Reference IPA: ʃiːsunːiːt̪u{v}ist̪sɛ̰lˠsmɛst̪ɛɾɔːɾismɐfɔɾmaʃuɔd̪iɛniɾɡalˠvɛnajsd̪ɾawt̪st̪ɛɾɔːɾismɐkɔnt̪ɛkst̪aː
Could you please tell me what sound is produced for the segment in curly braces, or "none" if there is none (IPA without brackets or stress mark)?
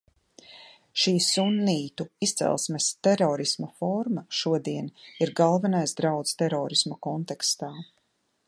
none